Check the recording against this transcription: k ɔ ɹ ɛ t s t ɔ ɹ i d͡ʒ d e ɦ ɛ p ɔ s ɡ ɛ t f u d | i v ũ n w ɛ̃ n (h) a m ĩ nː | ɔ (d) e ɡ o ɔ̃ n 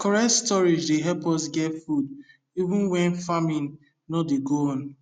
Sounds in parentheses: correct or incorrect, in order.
incorrect, correct

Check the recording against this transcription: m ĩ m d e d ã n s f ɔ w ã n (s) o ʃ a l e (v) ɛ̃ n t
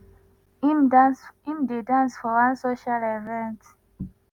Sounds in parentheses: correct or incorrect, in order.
correct, correct

